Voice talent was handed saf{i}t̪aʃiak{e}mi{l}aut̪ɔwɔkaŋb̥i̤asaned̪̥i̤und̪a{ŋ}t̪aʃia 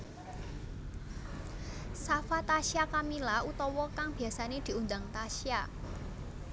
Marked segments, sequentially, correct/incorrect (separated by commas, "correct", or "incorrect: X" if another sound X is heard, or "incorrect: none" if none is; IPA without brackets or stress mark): incorrect: a, incorrect: a, correct, correct